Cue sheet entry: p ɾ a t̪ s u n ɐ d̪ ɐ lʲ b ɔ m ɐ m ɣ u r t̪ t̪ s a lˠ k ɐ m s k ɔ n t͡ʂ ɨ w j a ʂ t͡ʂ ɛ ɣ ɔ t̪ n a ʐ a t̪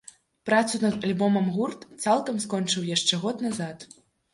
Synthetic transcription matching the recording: p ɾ a t̪ s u n ɐ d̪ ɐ lʲ b ɔ m ɐ m ɣ u r t̪ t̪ s a lˠ k ɐ m s k ɔ n t͡ʂ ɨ w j a ʂ t͡ʂ ɛ ɣ ɔ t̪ n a z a t̪